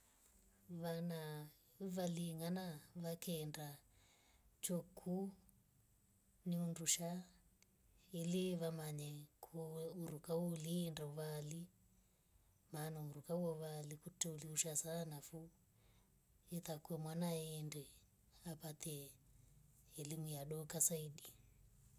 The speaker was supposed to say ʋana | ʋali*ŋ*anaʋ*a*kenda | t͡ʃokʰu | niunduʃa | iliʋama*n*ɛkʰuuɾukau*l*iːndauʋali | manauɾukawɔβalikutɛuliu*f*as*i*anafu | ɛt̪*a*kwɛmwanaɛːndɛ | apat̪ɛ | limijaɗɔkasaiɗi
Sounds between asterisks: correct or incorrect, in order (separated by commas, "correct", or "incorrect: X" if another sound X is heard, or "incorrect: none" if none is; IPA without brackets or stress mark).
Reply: correct, correct, incorrect: ɲ, correct, incorrect: ʃ, incorrect: a, correct